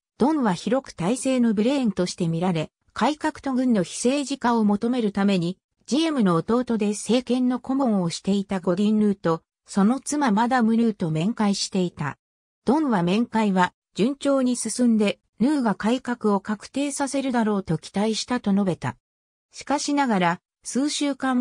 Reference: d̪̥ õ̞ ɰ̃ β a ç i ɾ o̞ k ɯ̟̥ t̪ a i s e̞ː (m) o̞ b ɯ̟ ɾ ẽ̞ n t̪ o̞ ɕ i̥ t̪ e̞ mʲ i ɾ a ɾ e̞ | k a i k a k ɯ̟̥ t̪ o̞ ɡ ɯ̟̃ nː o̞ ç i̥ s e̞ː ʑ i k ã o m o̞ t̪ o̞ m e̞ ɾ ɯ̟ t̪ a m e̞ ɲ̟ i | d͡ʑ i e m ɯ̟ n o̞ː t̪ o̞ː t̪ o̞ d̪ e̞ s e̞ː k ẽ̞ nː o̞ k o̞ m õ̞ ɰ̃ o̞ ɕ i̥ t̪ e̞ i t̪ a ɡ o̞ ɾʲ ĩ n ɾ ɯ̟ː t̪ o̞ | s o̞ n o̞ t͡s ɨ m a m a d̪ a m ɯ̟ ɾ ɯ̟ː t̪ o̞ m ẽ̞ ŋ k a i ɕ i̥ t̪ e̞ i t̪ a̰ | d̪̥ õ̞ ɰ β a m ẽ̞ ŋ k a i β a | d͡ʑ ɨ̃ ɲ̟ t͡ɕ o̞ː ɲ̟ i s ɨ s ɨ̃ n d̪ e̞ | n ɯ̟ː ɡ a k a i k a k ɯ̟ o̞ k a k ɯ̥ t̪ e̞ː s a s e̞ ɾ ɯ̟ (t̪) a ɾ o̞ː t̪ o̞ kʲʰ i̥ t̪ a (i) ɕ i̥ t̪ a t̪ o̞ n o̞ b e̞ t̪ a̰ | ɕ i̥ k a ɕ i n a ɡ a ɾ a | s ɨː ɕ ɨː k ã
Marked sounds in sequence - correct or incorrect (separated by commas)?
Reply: incorrect, incorrect, correct